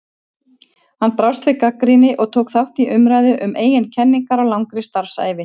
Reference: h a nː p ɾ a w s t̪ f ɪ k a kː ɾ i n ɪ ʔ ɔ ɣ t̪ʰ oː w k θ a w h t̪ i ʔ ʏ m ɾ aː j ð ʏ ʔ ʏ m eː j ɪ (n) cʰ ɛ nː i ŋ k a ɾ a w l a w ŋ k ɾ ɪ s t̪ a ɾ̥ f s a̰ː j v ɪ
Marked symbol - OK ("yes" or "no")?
yes